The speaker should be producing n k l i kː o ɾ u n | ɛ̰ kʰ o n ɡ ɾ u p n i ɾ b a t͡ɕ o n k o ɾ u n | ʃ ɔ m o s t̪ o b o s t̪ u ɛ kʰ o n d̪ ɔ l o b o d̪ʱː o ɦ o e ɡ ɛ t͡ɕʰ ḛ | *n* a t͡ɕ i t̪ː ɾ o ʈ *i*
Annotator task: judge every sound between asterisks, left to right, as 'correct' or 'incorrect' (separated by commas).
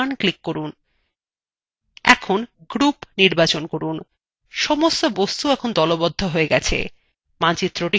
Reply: incorrect, correct